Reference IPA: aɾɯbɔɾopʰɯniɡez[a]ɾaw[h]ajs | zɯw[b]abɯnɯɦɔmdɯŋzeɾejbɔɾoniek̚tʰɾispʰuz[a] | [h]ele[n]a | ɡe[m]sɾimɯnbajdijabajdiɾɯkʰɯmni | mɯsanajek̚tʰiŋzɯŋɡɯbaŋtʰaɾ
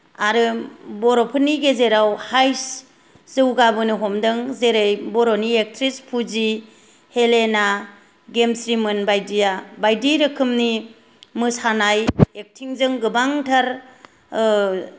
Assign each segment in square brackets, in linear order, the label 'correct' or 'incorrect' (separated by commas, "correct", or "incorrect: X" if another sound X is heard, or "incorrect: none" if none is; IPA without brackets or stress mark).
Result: incorrect: e, correct, incorrect: ɡ, incorrect: i, correct, correct, correct